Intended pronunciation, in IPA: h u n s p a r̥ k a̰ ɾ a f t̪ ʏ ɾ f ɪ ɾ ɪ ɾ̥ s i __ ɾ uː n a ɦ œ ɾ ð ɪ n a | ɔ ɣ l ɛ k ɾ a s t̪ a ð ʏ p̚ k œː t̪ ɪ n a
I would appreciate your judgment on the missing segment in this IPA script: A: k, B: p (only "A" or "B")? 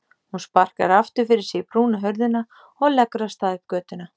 B